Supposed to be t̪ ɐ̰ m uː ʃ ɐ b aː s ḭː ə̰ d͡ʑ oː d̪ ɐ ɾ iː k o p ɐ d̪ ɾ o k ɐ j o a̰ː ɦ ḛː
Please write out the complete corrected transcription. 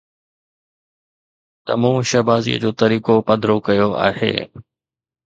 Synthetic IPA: t̪ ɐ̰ m ũː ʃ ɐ b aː z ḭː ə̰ d͡ʑ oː t̪ ɐ ɾ iː k o p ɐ d̪ ɾ o k ɐ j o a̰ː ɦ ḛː